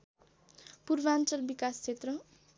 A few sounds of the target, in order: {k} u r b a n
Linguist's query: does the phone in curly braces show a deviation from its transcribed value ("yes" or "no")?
yes